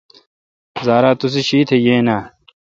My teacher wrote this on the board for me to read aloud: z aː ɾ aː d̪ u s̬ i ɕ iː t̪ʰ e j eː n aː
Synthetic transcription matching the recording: z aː ɾ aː t̪ u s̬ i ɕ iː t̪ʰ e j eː n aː